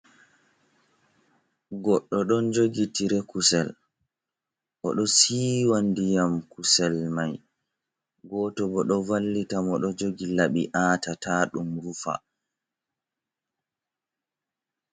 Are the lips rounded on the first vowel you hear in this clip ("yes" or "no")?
yes